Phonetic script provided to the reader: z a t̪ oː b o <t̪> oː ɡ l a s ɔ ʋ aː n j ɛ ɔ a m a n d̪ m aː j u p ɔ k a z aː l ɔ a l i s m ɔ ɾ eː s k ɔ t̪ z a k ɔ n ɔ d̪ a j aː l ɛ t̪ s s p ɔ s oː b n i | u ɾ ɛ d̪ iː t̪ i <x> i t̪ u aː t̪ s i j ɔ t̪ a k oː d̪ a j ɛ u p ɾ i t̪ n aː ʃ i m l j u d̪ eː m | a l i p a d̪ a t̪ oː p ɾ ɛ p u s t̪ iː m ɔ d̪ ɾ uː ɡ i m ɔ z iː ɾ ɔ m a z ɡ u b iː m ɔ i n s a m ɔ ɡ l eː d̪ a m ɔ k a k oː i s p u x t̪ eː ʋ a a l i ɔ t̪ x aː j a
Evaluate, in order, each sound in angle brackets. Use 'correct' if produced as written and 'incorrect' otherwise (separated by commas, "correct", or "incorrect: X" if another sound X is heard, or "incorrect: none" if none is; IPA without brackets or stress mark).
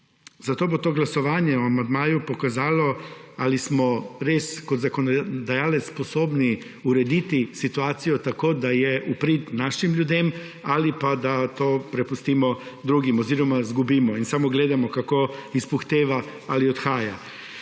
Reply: correct, incorrect: s